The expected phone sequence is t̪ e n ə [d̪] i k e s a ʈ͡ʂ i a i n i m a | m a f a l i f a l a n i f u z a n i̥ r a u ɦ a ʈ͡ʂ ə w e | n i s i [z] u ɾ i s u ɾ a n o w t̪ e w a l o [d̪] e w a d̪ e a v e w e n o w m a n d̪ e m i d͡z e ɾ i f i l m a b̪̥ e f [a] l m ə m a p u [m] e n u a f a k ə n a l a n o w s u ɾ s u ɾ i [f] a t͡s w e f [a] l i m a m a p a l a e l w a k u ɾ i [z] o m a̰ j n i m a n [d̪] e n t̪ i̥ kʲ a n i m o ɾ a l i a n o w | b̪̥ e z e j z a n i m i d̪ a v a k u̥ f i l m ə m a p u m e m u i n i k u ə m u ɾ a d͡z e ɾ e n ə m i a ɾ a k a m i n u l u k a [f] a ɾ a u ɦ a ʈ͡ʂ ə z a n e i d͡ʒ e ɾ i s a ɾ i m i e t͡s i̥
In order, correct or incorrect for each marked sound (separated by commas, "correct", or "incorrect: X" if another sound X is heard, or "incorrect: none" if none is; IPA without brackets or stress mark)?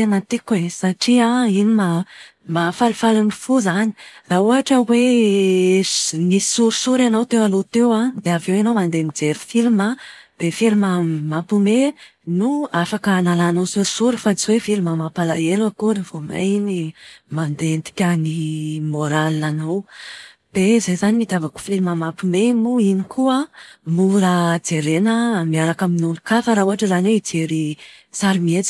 incorrect: t̪, incorrect: s, incorrect: t̪, incorrect: i, correct, correct, incorrect: i, incorrect: v, correct, correct